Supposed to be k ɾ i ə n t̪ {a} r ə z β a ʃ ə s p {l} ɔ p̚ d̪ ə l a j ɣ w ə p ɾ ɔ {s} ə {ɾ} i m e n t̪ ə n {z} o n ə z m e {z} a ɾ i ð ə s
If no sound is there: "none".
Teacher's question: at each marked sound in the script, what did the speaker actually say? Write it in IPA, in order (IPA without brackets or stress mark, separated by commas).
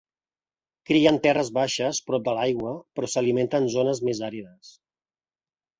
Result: ɛ, ɾ, s, l, z, z